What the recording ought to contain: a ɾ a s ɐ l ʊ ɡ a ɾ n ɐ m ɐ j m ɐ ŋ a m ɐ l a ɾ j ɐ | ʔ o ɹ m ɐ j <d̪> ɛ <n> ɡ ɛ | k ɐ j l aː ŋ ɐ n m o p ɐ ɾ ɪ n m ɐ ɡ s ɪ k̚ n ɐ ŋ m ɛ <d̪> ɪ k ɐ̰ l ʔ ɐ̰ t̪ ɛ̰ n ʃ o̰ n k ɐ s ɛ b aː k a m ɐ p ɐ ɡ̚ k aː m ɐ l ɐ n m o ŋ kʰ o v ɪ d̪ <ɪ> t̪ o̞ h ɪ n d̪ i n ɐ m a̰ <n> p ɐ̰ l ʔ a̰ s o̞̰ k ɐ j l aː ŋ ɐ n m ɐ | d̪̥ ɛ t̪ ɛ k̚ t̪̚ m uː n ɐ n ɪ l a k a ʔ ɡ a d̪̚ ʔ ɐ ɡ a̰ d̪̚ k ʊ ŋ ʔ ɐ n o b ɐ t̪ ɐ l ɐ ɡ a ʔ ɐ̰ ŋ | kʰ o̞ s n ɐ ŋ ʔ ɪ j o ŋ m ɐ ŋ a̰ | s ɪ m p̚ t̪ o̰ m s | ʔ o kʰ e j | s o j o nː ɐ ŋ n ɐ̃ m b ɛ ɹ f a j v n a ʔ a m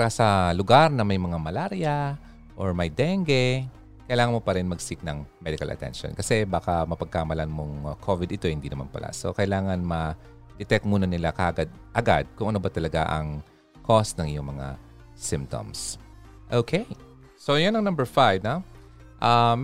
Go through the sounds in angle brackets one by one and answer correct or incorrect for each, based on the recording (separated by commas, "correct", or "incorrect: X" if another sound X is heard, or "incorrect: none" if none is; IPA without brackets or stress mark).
correct, incorrect: ŋ, correct, correct, correct